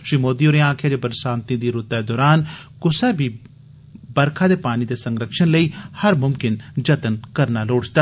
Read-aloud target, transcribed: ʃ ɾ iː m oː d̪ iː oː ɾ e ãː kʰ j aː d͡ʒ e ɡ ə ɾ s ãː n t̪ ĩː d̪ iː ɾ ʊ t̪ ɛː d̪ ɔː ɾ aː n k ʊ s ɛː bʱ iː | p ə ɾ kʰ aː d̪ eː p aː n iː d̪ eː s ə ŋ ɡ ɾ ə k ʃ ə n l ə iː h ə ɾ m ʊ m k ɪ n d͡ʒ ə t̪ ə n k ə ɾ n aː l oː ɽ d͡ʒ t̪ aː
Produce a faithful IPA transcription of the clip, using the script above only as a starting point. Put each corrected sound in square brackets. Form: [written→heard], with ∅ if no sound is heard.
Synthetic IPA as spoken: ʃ ɾ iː m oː d̪ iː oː ɾ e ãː kʰ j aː d͡ʒ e [ɡ→b] ə ɾ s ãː n t̪ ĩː d̪ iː ɾ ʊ t̪ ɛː d̪ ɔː ɾ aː n k ʊ s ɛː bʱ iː | [p→b] ə ɾ kʰ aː d̪ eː p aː n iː d̪ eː s ə ŋ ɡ ɾ ə k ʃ ə n l ə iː h ə ɾ m ʊ m k ɪ n d͡ʒ ə t̪ ə n k ə ɾ n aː l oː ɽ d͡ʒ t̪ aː